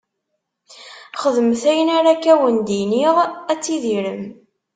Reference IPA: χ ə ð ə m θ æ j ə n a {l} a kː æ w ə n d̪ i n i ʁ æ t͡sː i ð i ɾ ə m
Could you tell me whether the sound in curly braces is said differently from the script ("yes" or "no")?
yes